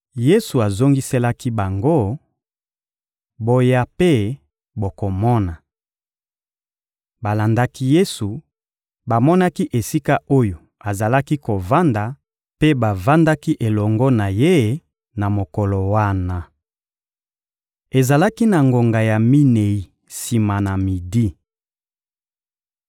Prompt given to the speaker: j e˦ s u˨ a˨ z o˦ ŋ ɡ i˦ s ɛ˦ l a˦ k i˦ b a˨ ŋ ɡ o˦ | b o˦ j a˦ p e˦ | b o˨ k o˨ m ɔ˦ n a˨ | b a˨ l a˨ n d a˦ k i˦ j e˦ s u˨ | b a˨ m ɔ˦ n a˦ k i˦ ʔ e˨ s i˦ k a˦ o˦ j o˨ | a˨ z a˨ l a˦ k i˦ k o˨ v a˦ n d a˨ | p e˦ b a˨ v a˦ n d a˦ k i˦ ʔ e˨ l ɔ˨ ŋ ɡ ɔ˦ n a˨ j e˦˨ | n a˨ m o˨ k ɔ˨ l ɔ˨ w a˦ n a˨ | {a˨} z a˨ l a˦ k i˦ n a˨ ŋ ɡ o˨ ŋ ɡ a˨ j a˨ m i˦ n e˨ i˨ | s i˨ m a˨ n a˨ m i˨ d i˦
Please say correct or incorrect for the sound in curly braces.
incorrect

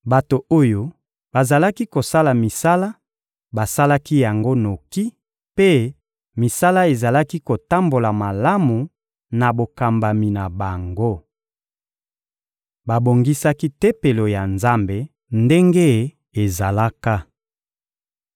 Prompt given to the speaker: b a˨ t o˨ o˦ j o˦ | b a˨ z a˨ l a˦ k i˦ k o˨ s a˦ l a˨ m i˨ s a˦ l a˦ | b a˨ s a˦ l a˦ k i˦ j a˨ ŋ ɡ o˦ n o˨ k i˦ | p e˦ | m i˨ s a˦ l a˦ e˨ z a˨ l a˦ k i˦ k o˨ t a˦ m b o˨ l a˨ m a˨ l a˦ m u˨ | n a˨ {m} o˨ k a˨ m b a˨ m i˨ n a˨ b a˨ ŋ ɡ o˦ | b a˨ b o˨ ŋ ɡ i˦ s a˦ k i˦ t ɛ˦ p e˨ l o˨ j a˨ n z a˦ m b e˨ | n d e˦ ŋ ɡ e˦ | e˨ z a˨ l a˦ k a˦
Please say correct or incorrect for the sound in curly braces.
incorrect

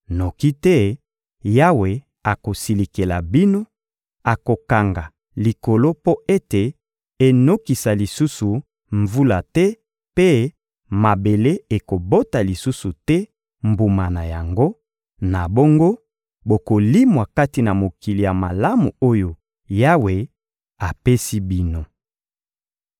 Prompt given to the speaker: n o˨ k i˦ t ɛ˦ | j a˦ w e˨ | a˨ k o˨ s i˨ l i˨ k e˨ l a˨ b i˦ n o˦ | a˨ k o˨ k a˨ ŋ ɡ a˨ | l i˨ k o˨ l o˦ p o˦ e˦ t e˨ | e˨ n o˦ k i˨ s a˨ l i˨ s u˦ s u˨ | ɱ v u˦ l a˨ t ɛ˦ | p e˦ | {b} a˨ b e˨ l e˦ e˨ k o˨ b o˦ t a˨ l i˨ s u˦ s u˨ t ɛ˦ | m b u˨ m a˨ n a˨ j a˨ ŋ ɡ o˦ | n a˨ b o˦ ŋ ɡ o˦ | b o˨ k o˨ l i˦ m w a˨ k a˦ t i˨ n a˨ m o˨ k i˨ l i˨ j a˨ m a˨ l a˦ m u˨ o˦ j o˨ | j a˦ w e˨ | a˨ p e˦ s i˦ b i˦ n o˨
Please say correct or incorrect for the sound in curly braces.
incorrect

